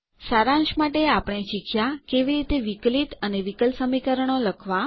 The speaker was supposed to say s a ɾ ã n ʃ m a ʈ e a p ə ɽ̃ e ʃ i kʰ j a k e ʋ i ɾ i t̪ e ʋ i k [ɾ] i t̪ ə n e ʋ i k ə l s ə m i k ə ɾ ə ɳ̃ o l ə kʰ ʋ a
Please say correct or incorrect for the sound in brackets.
incorrect